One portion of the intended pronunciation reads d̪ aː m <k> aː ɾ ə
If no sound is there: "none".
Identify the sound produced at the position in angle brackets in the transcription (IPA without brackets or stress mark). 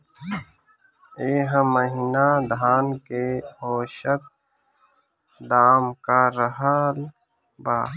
k